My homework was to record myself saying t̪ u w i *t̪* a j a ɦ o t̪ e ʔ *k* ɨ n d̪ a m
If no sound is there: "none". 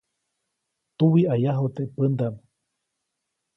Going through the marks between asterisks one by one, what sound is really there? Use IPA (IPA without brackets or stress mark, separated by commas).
none, p